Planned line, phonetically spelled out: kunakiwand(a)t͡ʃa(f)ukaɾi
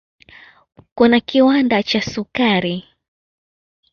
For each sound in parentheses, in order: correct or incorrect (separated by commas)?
correct, incorrect